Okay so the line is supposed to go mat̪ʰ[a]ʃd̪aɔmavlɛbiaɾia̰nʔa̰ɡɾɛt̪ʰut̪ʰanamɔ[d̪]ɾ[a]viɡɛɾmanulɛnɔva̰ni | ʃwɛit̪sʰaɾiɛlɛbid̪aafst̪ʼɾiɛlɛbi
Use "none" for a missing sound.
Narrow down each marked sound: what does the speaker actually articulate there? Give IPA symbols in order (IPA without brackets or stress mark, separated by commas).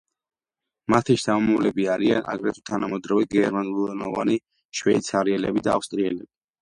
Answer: i, d̪, a